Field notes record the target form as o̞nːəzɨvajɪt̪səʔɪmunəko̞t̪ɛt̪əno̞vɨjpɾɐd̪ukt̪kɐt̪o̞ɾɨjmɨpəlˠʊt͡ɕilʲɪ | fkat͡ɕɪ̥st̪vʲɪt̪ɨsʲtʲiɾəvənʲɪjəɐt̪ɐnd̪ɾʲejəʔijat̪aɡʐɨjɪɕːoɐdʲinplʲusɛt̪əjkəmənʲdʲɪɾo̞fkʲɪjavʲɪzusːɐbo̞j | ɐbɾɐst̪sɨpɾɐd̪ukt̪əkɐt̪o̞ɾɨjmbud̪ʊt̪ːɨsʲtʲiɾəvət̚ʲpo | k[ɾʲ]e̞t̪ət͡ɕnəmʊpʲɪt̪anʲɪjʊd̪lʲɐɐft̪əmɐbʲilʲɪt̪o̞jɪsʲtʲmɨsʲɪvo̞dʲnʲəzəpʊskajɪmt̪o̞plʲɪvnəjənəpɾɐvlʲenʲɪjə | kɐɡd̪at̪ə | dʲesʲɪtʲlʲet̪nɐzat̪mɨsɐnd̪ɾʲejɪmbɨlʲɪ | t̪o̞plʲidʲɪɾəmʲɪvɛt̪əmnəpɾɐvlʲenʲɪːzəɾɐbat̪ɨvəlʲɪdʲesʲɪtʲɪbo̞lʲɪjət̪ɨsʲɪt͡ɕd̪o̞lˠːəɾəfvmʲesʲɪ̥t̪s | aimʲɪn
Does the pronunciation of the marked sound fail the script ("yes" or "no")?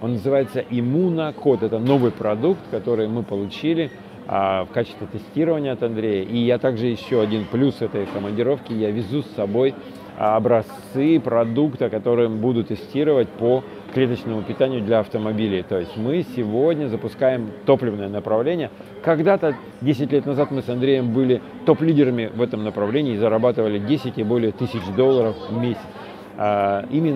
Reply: yes